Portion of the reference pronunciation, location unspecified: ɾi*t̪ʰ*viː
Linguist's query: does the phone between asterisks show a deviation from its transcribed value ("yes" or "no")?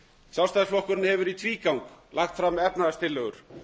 no